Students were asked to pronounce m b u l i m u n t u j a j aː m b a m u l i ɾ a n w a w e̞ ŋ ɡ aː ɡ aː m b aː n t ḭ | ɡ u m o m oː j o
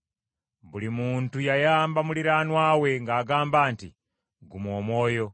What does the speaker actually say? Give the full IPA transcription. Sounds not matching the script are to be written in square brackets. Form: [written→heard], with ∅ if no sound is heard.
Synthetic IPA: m b u l i m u n t u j a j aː m b a m u l i ɾ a n w a w e̞ ŋ ɡ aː ɡ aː m b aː n t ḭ | ɡ u m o m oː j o